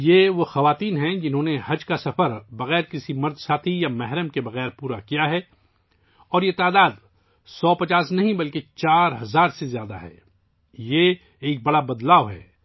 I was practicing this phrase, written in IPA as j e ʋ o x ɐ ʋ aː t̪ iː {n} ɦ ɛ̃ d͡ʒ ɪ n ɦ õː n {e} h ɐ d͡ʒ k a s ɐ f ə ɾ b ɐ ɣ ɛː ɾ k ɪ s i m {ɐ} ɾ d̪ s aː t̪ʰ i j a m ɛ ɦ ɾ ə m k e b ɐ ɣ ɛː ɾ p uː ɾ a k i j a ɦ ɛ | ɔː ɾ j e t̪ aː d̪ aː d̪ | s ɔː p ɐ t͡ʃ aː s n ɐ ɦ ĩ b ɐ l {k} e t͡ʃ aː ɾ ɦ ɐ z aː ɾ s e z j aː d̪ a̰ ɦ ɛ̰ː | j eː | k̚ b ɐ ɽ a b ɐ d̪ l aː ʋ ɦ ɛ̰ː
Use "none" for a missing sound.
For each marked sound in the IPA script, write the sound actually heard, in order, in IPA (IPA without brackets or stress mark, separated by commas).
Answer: n, e, ɐ, k